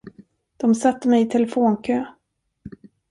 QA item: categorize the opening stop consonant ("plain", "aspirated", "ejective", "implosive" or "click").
plain